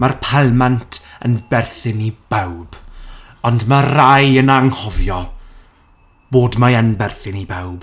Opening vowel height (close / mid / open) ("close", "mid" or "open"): open